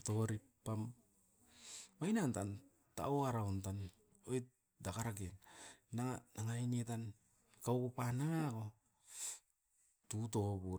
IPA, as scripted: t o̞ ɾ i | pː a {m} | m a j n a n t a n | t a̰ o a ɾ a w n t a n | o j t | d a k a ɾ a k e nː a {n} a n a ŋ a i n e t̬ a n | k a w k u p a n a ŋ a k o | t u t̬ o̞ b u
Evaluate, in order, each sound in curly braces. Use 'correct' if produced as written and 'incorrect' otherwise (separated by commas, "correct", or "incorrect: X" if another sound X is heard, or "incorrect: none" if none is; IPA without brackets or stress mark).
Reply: correct, incorrect: ŋ